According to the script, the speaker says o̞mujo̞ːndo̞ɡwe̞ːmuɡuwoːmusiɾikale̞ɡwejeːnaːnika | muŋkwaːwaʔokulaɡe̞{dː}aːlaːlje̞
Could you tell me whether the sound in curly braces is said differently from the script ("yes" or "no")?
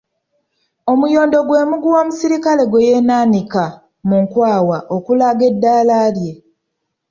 no